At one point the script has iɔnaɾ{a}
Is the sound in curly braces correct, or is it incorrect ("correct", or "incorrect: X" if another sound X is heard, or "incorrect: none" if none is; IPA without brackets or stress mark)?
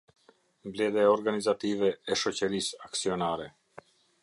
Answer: incorrect: ɛ